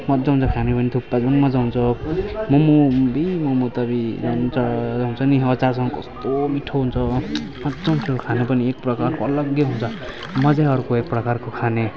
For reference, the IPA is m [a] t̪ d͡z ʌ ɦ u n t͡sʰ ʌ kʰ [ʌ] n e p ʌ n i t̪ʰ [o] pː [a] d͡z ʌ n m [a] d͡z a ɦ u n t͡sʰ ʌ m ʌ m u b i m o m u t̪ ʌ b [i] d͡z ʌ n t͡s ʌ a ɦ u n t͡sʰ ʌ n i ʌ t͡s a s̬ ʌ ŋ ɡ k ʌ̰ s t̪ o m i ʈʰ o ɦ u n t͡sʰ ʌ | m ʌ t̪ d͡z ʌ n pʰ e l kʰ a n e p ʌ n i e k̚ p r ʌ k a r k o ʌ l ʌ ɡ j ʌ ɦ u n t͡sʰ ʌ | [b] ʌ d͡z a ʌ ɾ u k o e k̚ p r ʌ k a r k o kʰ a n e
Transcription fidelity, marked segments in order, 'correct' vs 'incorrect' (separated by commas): incorrect, incorrect, incorrect, correct, incorrect, correct, incorrect